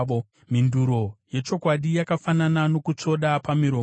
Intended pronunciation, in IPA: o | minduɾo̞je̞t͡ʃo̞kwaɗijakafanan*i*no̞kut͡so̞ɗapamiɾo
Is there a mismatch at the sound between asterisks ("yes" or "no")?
yes